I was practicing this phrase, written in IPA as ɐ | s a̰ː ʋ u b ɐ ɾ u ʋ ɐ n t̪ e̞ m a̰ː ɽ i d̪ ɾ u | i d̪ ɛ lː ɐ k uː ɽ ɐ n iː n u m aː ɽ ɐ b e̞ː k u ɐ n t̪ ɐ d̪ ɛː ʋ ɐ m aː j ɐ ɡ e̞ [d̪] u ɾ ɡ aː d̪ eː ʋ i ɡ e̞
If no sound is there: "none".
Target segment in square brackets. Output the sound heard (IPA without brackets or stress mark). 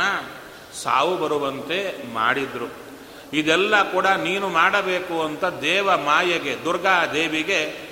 d̪